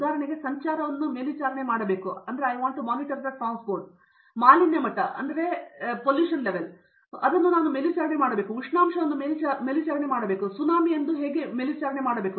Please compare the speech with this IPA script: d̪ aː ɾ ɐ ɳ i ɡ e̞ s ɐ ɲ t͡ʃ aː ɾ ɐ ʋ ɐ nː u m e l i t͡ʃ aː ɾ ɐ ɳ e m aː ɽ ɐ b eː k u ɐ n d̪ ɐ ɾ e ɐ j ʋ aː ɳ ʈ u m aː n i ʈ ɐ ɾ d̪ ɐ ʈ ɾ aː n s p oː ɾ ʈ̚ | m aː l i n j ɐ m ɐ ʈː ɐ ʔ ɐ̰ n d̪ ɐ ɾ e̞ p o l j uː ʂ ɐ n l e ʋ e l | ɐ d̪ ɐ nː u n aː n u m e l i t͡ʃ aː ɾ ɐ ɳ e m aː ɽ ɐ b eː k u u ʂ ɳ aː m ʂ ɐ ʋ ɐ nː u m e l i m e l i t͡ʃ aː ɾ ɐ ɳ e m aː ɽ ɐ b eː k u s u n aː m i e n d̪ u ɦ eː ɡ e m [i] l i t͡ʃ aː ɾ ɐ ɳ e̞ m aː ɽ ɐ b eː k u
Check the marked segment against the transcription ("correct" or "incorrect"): incorrect